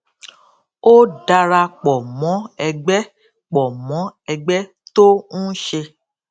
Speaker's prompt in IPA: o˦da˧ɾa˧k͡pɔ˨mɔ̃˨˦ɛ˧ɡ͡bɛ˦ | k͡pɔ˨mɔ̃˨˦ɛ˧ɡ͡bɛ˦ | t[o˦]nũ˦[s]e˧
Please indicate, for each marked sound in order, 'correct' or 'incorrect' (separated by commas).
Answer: correct, incorrect